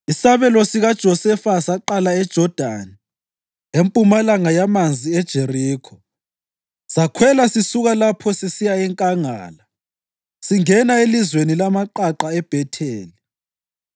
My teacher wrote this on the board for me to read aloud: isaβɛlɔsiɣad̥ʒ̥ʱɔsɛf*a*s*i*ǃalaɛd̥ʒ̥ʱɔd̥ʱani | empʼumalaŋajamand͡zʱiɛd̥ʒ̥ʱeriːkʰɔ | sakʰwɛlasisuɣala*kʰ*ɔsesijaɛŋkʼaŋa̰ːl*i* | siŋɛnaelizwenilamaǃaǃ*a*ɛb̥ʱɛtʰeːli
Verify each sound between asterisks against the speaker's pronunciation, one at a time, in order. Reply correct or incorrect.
correct, incorrect: a, incorrect: pʰ, incorrect: a, correct

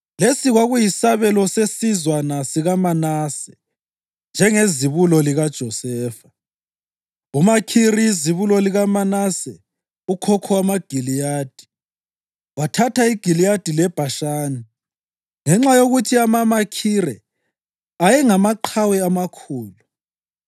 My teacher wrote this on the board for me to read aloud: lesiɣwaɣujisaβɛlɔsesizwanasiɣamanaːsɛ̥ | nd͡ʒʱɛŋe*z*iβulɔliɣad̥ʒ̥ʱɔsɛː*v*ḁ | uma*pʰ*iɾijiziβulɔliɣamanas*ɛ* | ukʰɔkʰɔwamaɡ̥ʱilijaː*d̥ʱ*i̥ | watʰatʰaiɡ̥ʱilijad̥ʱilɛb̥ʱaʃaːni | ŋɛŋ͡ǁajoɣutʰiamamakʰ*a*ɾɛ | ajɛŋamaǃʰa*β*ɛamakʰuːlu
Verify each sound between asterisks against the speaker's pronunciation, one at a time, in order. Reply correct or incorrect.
correct, incorrect: f, incorrect: kʰ, correct, correct, incorrect: i, incorrect: w

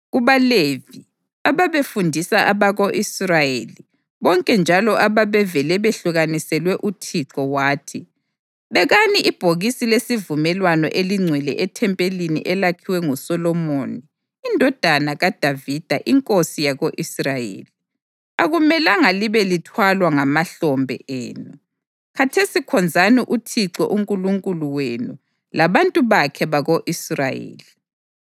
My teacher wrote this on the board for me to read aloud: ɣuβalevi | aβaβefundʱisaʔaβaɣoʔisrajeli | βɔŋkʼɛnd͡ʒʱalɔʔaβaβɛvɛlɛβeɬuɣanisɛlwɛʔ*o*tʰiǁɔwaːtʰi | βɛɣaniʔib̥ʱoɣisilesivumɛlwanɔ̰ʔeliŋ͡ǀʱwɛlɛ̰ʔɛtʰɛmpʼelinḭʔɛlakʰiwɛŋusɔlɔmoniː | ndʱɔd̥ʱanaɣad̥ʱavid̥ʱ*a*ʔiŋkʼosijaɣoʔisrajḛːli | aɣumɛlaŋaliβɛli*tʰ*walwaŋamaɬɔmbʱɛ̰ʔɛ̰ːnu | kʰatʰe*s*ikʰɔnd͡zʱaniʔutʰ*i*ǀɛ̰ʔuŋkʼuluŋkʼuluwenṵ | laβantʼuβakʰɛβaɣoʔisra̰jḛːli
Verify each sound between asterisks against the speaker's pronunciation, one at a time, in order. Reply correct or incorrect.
incorrect: u, correct, correct, correct, correct

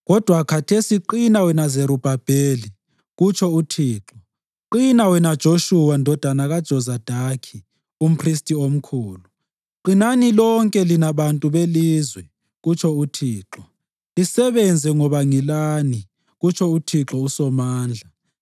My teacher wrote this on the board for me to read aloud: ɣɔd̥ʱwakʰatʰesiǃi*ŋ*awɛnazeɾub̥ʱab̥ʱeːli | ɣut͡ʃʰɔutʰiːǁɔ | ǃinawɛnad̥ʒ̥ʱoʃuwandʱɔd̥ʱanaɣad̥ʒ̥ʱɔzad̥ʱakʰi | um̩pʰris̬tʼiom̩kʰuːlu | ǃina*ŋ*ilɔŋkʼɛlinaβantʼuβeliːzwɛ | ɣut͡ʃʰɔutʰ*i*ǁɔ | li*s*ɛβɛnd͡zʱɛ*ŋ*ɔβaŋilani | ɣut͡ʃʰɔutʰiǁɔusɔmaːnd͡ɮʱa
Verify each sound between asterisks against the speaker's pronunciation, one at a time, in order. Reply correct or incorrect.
incorrect: n, incorrect: n, incorrect: iː, correct, correct

